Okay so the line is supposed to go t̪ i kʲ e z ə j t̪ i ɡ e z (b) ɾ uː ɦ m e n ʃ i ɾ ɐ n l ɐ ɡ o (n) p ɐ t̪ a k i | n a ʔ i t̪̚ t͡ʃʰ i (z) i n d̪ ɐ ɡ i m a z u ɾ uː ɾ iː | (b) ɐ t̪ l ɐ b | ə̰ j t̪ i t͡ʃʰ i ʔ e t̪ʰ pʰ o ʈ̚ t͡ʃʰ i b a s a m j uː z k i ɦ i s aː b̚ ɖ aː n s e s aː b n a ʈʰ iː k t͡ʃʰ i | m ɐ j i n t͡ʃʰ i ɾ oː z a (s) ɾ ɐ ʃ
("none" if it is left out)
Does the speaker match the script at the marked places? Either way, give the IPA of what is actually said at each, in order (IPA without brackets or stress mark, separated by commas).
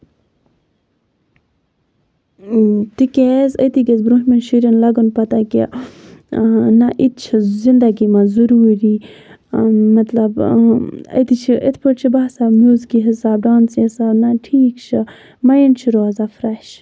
b, n, z, m, f